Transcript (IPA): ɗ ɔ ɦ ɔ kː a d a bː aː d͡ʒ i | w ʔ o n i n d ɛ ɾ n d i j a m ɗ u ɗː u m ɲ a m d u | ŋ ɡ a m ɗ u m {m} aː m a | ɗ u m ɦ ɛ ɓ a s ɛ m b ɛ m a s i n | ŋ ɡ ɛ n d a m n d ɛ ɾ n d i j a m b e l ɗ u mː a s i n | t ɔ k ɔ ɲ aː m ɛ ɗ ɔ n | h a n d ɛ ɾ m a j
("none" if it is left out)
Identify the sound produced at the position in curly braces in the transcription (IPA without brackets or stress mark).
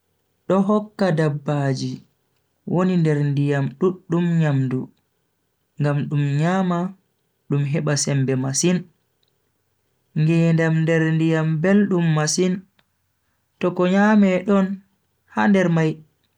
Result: ɲ